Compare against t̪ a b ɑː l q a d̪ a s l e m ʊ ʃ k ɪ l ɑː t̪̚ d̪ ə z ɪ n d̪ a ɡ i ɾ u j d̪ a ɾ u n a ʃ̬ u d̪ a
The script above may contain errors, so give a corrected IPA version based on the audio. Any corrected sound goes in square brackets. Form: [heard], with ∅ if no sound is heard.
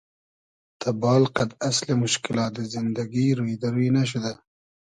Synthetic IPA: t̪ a b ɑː l q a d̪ a s l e m ʊ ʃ k ɪ l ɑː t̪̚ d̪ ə z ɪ n d̪ a ɡ i ɾ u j d̪ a ɾ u n a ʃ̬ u d̪ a